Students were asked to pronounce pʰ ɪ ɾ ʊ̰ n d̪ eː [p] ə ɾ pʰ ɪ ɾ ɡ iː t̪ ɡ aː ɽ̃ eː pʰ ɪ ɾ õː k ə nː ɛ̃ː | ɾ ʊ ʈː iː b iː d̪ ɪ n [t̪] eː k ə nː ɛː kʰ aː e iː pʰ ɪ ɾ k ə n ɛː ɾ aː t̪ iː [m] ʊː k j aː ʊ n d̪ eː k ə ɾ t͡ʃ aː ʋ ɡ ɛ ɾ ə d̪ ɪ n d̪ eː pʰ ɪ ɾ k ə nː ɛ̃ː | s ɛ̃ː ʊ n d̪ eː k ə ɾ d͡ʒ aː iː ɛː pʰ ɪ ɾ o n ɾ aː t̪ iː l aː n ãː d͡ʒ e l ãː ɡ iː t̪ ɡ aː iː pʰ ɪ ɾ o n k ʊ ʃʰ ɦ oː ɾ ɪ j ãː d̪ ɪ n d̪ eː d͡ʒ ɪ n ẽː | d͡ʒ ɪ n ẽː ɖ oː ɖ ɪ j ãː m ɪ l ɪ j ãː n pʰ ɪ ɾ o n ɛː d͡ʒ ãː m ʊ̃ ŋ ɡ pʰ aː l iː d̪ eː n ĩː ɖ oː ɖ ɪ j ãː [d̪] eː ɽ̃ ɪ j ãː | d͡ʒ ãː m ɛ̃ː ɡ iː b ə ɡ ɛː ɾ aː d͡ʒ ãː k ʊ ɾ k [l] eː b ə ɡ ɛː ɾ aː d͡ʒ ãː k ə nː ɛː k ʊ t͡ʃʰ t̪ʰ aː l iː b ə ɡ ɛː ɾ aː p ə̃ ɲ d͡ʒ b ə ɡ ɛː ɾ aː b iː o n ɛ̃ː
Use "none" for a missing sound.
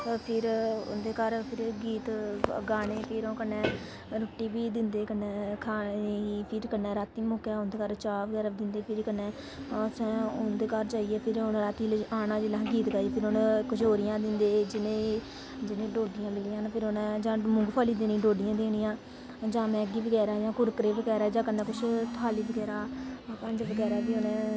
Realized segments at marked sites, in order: k, d̪, m, d̪, ɾ

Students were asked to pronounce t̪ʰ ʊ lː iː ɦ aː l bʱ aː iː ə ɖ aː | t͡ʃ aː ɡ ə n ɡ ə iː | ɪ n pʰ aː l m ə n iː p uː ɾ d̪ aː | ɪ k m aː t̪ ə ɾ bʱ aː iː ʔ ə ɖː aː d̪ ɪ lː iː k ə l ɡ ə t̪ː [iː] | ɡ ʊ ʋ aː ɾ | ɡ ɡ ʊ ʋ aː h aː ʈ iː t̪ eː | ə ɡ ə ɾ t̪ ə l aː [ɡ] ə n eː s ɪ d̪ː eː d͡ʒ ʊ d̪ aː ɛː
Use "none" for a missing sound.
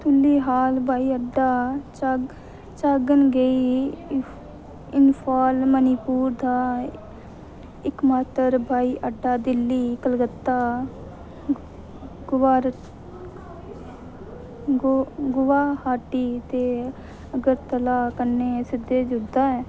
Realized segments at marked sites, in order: aː, k

